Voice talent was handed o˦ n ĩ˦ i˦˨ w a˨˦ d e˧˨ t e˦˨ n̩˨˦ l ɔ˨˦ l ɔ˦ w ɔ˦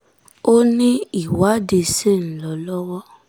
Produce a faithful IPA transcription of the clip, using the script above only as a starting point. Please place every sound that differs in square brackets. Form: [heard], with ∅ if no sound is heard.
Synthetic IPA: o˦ n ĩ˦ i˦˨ w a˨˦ d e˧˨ [s] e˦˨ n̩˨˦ l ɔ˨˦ l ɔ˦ w ɔ˦